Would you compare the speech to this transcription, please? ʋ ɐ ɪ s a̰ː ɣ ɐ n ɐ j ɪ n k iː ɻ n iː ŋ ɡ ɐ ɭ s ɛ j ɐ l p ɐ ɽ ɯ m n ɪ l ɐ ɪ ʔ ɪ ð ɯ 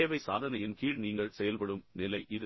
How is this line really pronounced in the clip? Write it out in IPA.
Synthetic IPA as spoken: ʋ ɐ ɪ s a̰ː ð ɐ n ɐ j ɪ n k iː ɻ n iː ŋ ɡ ɐ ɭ s ɛ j ɐ l p ɐ ɽ ɯ m n ɪ l ɐ ɪ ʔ ɪ ð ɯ